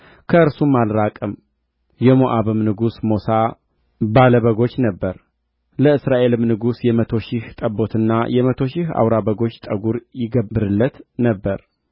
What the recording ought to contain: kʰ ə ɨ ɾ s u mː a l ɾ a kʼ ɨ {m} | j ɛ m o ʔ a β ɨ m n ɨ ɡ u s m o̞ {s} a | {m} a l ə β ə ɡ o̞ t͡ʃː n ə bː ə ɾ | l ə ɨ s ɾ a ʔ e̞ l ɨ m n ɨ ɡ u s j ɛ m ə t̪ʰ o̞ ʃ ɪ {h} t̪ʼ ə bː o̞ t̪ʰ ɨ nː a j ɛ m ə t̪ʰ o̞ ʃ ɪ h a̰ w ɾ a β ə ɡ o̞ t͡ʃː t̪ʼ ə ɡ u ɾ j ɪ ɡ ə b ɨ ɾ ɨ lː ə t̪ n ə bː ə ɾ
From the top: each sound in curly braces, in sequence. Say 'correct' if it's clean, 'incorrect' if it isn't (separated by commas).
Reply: correct, correct, incorrect, correct